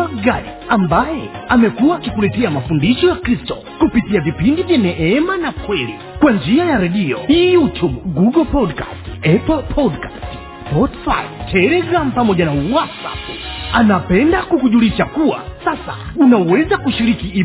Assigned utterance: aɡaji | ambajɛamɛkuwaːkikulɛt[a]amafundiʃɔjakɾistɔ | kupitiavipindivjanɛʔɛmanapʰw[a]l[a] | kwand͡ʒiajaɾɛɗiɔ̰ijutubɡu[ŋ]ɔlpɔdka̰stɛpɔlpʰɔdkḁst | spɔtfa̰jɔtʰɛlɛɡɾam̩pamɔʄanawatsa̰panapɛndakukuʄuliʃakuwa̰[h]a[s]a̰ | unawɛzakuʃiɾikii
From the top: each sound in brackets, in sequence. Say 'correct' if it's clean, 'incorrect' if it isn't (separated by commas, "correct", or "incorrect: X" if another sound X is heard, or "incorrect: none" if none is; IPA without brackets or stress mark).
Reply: incorrect: ɛ, incorrect: ɛ, incorrect: i, incorrect: ɡ, incorrect: s, correct